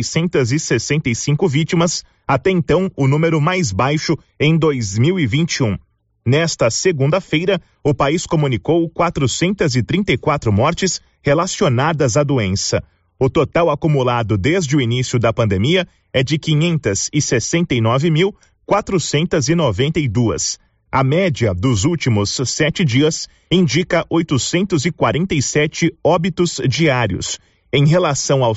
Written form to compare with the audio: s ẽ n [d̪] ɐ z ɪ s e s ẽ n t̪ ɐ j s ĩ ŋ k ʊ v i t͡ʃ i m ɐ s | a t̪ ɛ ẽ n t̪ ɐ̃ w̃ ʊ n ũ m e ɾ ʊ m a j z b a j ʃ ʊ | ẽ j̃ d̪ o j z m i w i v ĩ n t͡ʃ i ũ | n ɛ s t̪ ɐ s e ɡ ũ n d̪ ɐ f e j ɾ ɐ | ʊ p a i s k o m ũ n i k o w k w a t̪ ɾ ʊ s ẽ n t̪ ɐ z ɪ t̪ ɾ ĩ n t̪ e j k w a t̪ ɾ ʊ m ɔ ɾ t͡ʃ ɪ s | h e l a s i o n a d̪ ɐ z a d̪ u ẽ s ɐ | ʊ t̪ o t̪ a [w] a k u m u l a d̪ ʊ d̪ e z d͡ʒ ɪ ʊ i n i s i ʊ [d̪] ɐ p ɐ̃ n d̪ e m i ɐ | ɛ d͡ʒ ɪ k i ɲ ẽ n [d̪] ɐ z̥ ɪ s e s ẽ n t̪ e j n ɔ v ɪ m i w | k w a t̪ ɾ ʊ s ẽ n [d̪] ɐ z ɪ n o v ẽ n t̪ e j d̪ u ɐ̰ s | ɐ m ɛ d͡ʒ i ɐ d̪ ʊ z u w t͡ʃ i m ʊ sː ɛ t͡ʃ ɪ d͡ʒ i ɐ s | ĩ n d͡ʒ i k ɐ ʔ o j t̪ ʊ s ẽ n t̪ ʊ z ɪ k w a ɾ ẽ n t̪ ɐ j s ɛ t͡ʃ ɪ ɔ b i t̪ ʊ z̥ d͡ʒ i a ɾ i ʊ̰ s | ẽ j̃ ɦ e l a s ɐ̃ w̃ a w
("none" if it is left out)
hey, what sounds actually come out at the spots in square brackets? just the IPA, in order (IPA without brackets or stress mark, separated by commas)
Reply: t̪, w, d̪, t̪, t̪